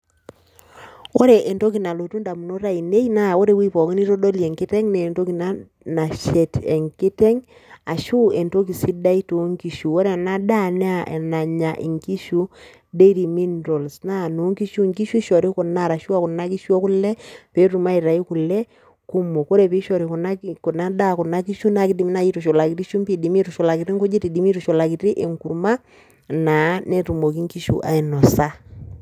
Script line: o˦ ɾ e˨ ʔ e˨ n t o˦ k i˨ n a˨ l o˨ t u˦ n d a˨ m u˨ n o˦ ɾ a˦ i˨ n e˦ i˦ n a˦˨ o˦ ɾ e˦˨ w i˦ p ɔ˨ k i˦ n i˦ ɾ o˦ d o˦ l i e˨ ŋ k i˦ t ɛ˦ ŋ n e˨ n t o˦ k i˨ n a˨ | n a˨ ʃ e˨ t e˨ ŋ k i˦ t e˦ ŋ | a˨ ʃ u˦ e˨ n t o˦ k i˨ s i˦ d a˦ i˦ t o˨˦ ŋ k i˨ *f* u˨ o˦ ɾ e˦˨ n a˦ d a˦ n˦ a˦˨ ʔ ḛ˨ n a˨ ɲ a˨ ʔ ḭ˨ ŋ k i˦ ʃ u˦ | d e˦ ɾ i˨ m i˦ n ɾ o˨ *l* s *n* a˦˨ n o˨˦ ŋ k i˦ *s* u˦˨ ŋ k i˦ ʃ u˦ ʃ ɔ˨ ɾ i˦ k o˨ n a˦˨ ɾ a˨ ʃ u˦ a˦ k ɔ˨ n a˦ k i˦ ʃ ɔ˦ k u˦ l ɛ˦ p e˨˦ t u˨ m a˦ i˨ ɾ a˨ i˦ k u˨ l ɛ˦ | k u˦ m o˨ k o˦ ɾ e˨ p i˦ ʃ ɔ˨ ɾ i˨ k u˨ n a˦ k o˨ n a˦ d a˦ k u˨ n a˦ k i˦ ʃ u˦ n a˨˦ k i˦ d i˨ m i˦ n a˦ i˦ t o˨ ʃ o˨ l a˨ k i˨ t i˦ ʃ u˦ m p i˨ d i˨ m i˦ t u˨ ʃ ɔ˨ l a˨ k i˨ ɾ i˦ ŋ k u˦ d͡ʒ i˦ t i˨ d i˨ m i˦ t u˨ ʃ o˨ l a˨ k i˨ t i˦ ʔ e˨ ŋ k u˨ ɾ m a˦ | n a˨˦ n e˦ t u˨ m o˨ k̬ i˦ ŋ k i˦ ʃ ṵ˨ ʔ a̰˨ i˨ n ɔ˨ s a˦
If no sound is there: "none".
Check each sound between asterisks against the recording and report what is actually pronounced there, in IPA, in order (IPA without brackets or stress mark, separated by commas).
ʃ, l, n, ʃ